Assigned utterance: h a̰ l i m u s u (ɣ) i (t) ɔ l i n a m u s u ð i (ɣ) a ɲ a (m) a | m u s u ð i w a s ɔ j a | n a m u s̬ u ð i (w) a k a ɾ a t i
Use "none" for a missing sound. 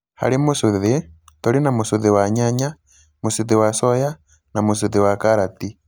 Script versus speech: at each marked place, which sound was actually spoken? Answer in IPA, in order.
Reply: ð, t, w, ɲ, w

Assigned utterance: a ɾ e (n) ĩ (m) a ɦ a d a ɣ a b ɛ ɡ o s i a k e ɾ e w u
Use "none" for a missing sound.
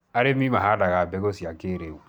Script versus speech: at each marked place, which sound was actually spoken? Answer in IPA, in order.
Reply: m, m

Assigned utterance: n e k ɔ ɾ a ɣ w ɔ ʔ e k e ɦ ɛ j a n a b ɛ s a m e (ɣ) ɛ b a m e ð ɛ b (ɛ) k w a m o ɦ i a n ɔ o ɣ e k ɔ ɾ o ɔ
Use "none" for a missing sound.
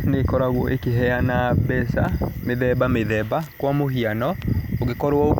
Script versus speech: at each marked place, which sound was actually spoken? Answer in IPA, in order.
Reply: ð, a

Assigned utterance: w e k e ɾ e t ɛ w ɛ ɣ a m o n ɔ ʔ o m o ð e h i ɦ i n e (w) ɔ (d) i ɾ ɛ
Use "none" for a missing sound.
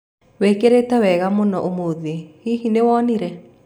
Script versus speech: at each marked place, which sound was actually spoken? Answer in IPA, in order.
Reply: w, n

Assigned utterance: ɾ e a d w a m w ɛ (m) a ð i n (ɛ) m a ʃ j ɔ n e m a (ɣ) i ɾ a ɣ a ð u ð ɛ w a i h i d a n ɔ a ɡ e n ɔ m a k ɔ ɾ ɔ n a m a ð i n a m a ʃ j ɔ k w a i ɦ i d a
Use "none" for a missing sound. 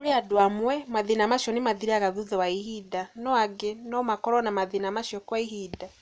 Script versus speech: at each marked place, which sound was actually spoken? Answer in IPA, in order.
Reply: m, a, ð

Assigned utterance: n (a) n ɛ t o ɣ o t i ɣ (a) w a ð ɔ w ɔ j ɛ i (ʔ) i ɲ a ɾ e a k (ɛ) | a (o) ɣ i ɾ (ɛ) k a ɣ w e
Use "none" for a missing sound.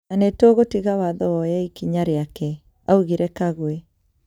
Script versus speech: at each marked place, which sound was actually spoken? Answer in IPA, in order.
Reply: a, a, k, ɛ, u, ɛ

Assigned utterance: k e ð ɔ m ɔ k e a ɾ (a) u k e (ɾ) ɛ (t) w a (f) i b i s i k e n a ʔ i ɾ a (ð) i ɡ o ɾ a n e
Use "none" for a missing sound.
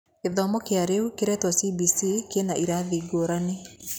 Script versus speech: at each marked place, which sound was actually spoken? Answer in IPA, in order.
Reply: e, ɾ, t, s, ð

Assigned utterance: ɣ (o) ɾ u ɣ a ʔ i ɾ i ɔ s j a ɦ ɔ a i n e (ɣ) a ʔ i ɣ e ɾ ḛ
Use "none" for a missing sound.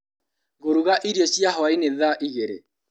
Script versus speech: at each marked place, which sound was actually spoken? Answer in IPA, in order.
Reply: o, ð

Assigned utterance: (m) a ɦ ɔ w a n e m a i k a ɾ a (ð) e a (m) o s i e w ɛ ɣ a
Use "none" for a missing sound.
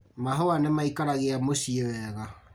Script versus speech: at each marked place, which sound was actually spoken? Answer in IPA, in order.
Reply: m, ɣ, m

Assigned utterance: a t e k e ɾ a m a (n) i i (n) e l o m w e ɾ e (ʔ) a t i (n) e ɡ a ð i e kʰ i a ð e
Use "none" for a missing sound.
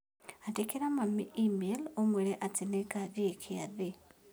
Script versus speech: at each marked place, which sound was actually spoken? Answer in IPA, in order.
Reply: m, m, ʔ, n

